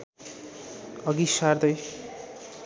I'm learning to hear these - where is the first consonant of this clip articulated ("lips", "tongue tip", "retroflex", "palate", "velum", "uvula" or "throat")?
velum